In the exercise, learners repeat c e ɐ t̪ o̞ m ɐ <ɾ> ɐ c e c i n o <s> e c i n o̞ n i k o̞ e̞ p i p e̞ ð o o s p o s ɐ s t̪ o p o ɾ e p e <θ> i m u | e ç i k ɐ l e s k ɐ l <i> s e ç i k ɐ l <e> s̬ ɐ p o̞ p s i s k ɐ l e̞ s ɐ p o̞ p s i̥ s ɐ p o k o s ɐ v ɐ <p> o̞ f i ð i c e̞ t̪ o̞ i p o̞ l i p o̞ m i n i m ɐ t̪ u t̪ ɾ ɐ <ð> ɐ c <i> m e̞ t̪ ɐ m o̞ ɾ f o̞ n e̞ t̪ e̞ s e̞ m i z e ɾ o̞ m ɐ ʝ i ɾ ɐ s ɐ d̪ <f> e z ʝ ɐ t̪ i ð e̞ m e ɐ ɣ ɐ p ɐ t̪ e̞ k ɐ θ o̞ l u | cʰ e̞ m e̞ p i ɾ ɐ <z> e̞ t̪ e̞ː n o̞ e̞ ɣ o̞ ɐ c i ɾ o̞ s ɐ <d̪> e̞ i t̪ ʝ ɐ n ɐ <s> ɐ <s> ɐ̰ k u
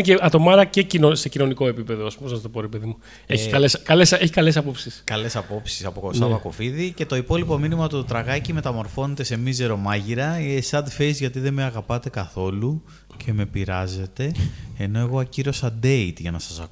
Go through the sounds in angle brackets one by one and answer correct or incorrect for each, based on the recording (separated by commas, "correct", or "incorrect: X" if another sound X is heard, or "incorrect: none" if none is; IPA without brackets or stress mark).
correct, correct, incorrect: ð, incorrect: e, correct, incorrect: k, incorrect: ɣ, correct, correct, correct, correct, correct, correct